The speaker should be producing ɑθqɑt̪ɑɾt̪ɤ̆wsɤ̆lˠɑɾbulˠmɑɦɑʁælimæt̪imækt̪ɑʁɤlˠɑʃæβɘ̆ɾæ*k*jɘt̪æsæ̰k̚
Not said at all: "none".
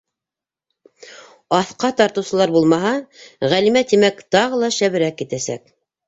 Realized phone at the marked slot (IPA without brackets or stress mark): k